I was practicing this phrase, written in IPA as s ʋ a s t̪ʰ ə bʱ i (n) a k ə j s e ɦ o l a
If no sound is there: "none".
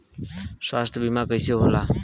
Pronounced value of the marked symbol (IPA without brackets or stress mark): m